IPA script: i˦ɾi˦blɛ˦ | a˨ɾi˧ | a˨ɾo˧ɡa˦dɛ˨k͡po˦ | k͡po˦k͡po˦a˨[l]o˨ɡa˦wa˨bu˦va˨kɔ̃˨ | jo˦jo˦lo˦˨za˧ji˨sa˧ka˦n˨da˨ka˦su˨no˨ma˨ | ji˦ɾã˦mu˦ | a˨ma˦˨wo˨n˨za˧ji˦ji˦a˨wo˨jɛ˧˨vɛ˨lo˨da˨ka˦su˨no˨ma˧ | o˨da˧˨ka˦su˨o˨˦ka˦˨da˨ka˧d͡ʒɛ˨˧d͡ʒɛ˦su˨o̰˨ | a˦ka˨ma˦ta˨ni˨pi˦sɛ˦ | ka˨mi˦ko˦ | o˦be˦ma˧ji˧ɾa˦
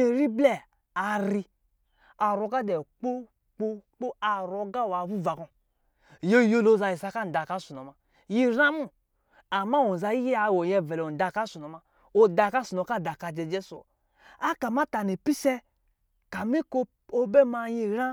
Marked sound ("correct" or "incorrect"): incorrect